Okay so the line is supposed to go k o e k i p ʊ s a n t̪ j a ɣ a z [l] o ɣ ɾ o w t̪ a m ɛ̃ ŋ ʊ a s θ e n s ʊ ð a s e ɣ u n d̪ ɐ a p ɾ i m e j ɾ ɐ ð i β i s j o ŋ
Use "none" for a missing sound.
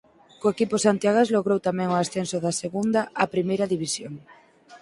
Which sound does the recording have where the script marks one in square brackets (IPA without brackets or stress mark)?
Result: l